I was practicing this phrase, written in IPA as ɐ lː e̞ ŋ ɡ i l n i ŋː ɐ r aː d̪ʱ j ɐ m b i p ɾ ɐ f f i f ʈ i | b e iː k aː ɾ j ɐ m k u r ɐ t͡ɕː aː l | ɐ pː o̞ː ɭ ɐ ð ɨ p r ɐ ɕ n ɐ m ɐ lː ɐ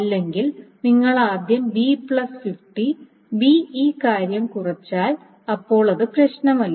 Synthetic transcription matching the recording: ɐ lː e̞ ŋ ɡ i l n i ŋː ɐ ɭ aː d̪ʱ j ɐ m b i p ɭ ɐ s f i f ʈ i | b i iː k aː ɾ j ɐ m k u r ɐ t͡ɕː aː l | ɐ pː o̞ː ɭ ɐ ð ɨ p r ɐ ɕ n ɐ m ɐ lː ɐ